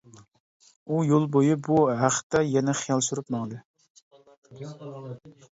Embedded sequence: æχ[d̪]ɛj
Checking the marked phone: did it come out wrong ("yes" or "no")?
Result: yes